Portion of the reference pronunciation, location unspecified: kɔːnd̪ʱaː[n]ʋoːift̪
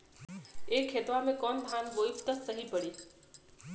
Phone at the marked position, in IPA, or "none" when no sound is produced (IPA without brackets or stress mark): n